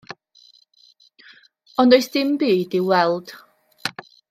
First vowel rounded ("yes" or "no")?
yes